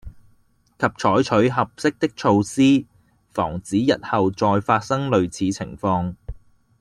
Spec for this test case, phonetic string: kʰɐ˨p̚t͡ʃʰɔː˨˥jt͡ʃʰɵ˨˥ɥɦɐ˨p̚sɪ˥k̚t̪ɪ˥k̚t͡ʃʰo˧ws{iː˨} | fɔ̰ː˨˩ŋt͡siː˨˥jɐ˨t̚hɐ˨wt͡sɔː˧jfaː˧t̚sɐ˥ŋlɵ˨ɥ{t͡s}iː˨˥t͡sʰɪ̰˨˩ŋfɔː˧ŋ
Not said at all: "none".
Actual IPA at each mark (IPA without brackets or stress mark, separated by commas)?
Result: iː˥, t͡sʰ